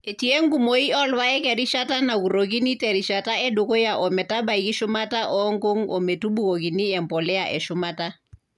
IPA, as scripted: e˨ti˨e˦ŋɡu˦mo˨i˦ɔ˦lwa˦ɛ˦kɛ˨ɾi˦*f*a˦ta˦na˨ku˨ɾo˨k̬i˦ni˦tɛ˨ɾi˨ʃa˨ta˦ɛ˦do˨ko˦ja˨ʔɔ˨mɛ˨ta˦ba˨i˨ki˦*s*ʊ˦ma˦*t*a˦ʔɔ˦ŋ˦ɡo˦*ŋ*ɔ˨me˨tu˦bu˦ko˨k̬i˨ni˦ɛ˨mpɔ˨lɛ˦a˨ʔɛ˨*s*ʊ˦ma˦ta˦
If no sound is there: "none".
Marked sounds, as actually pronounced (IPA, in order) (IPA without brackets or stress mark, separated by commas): ʃ, ʃ, t, ŋ, ʃ